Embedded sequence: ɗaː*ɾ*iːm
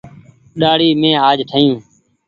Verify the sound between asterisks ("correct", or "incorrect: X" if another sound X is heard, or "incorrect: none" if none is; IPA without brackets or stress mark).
incorrect: ɽ